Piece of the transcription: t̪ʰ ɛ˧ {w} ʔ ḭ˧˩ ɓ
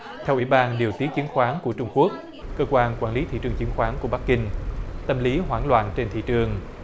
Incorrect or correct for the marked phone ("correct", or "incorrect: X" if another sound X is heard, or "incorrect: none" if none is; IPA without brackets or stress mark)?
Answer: correct